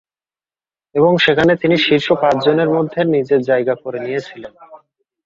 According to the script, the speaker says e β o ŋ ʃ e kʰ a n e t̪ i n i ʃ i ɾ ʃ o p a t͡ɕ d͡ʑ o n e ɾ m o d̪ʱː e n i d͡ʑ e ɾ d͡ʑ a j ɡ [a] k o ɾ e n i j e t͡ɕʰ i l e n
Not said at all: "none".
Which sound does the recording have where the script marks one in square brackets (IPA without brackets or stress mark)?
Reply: a